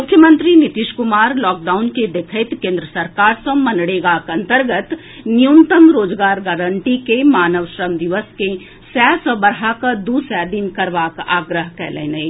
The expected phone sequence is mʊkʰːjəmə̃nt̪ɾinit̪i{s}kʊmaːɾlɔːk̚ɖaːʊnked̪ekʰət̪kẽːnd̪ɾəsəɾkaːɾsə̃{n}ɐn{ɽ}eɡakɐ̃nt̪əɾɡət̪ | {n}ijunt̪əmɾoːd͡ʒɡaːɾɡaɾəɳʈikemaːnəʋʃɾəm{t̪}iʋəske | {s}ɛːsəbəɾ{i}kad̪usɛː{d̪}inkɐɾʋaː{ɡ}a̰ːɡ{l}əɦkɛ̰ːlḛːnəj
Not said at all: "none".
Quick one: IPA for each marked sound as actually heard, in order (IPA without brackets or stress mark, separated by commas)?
ʃ, m, ɽ, n, d̪, s, a, d̪, k, ɾ